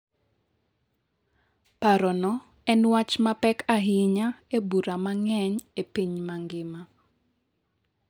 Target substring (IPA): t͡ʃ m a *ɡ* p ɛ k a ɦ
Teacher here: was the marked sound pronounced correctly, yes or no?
no